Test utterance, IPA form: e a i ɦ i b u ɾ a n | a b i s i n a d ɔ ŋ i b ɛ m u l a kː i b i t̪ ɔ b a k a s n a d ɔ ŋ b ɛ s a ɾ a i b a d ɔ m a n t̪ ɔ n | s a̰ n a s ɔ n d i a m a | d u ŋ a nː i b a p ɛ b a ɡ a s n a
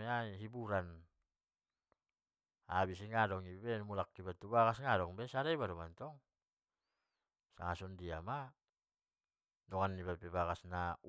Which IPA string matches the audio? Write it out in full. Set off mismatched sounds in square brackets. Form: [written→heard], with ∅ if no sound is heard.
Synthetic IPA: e a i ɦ i b u ɾ a n | a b i s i [n→ŋ] a d ɔ ŋ i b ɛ m u l a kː i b [i→a] t̪ [ɔ→u] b a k a s [n→ŋ] a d ɔ ŋ b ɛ s a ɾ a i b a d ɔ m a n t̪ ɔ [n→ŋ] | s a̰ [n→ŋ] a s ɔ n d i a m a | d [u→ɔ] ŋ a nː i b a p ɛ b a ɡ a s n a